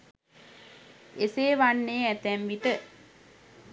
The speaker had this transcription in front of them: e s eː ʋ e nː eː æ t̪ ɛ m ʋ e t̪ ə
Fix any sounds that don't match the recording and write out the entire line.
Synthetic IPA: e s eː ʋ a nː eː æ t̪ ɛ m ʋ i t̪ ə